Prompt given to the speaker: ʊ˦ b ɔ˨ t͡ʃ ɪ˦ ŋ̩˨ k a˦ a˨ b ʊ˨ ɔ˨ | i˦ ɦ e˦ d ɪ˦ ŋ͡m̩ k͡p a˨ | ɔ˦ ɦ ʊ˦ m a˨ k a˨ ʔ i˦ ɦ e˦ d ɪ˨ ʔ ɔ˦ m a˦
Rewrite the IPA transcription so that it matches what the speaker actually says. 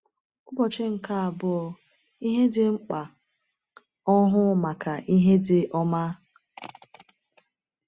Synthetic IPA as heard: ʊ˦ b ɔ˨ t͡ʃ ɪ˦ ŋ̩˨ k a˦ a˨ b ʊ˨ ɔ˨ | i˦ ɦ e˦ d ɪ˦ ŋ͡m̩ k͡p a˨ | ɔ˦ ɦ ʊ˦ m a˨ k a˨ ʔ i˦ ɦ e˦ d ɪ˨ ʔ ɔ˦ m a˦

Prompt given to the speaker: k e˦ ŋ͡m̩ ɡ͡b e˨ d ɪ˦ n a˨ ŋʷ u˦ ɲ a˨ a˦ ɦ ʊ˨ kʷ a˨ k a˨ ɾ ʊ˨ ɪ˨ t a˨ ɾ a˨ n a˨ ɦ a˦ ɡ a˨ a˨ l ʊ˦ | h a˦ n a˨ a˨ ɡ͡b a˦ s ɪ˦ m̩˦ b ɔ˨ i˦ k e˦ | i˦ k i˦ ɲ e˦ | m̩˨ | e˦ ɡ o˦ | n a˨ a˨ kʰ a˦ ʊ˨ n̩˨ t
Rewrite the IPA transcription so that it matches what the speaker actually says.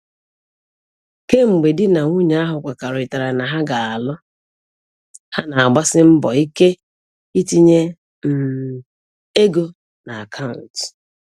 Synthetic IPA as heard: k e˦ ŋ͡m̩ ɡ͡b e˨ d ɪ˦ n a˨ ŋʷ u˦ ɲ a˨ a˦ ɦ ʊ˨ kʷ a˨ k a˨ ɾ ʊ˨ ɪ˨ t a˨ ɾ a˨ n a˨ ɦ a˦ ɡ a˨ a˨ l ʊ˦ | h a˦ n a˨ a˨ ɡ͡b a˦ s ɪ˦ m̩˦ b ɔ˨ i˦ k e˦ | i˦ t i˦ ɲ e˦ | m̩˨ | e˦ ɡ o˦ | n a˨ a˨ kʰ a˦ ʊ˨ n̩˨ t

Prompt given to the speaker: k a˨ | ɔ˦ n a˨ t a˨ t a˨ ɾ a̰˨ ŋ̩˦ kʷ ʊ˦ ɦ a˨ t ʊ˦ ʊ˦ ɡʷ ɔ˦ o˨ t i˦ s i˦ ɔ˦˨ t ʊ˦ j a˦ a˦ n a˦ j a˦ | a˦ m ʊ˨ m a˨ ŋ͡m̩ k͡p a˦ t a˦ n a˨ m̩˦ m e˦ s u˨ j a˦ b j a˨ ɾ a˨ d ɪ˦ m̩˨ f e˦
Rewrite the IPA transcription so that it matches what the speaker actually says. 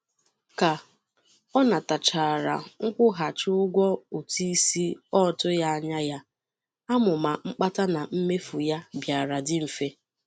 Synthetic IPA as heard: k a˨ | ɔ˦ n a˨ t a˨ t͡ʃ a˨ ɾ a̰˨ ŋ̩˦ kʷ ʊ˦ ɦ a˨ t͡ʃ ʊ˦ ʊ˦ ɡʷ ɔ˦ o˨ t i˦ s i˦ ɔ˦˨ t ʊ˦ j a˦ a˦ ɲ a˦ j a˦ | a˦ m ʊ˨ m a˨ ŋ͡m̩ k͡p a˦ t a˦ n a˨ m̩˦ m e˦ f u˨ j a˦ b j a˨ ɾ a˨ d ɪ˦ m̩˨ f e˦

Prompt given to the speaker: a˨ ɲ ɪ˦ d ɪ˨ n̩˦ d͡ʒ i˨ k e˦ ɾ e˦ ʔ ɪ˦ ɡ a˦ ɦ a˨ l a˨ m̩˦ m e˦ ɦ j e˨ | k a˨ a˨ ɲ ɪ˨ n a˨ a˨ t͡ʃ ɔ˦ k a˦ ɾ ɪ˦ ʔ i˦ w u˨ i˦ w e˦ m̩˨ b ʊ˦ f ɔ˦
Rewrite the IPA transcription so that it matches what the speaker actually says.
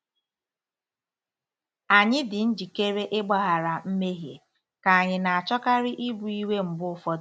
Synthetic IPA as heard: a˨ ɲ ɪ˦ d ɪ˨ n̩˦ d͡ʒ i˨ k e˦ ɾ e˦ ʔ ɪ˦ ɡ͡b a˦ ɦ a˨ ɾ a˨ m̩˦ m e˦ ɦ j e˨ | k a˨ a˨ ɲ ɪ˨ n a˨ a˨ t͡ʃ ɔ˦ k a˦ ɾ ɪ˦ ʔ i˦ b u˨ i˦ w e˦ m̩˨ b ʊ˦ f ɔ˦

